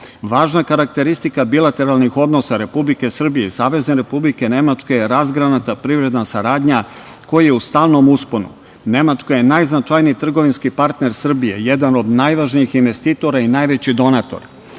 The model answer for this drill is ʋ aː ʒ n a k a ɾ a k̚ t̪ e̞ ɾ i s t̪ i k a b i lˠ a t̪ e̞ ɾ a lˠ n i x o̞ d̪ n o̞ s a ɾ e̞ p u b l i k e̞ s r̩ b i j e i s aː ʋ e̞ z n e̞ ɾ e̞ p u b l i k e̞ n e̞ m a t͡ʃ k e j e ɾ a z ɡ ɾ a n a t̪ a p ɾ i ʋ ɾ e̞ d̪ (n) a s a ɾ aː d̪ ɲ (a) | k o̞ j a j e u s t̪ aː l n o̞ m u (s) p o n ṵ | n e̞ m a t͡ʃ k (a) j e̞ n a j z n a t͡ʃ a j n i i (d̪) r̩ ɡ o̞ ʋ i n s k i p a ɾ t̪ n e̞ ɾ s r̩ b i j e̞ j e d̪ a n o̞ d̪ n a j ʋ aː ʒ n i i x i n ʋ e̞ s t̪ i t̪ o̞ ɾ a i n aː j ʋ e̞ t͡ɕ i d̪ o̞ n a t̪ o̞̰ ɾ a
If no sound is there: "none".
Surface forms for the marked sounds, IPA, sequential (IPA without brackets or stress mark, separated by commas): n, a, s, a, t̪